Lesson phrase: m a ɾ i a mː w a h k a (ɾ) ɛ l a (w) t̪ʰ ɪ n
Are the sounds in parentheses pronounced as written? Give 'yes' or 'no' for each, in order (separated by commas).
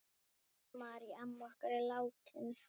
yes, yes